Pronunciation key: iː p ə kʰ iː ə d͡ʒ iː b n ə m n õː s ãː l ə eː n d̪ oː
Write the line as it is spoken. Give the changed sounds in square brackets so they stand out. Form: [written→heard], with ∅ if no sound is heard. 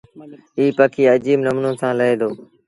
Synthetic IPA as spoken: iː p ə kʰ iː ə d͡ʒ iː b n ə m n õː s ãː l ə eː [n→∅] d̪ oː